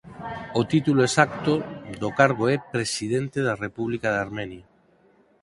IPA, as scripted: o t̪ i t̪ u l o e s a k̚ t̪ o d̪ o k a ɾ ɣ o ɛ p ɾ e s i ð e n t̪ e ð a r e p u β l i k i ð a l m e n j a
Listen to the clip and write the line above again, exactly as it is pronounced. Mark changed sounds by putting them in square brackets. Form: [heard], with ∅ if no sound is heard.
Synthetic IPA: o t̪ i t̪ u l o e s a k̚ t̪ o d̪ o k a ɾ ɣ o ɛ p ɾ e s i ð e n t̪ e ð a r e p u β l i k [a] ð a [ɾ] m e n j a